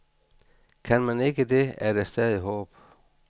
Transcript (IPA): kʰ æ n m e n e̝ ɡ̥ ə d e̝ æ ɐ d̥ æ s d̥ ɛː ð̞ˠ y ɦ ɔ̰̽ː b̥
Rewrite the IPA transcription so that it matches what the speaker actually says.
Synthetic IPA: kʰ æ n m æ n e̝ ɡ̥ ə d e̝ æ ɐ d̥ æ s d̥ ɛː ð̞ˠ i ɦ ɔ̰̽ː b̥